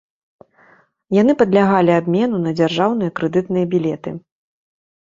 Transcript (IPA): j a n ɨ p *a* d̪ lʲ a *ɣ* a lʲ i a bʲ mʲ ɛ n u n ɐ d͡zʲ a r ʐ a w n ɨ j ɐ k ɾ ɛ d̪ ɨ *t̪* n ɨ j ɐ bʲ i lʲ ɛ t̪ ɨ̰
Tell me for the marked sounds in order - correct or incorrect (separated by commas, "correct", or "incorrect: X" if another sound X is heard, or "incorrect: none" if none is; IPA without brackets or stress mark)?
incorrect: ɐ, correct, correct